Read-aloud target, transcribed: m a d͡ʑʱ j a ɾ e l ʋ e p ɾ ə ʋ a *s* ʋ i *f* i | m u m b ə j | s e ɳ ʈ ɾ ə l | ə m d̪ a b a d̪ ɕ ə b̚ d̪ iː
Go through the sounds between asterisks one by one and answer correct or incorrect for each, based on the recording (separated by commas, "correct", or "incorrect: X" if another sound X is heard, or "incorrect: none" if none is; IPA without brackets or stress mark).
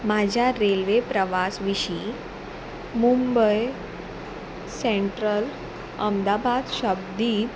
correct, incorrect: ɕ